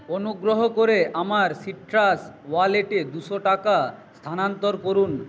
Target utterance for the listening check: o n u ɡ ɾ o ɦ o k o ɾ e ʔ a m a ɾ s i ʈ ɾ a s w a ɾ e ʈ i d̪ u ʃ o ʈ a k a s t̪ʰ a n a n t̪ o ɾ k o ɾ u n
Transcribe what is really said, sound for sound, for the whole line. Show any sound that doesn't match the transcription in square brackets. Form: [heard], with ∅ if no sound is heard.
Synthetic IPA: o n u ɡ ɾ o ɦ o k o ɾ e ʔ a m a ɾ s i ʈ ɾ a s w a [l] e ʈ [e] d̪ u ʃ o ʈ a k a s t̪ʰ a n a n t̪ o ɾ k o ɾ u n